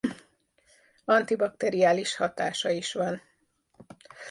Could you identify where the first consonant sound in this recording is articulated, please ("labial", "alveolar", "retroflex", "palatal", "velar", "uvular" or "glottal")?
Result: alveolar